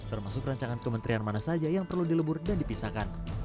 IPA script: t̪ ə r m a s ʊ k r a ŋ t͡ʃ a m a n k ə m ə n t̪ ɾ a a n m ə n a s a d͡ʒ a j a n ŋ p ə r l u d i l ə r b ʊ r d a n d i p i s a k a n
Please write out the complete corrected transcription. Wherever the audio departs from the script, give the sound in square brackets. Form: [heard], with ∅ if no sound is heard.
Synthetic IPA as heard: t̪ ə r m a s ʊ k r a [ɲ] t͡ʃ a [ŋ] a n k ə m ə n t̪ ɾ [i] a n m [a] n a s a d͡ʒ a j a [∅] ŋ p ə r l u d i l ə [∅] b ʊ r d a n d i p i s a k a n